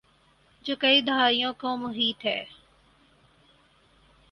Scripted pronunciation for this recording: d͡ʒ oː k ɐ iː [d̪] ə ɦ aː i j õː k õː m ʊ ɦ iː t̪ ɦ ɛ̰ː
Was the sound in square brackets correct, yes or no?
yes